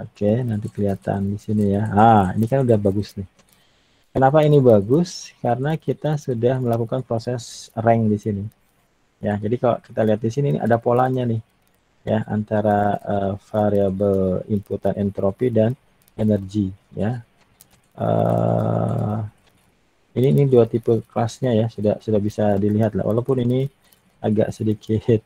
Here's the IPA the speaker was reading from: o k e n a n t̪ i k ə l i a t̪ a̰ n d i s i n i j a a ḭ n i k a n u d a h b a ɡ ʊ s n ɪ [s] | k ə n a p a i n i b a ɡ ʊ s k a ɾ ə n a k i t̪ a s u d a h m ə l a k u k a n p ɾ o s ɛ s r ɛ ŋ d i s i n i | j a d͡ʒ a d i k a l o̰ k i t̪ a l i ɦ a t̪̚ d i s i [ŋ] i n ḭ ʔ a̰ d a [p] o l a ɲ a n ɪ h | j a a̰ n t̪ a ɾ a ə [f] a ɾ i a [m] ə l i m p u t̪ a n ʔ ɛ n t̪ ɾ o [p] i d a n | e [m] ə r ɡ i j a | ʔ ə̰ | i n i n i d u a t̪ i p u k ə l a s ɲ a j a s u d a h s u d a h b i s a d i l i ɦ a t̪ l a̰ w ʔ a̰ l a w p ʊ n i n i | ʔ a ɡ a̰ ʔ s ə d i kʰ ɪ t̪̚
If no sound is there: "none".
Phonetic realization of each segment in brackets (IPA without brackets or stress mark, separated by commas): h, n, p, f, b, p, n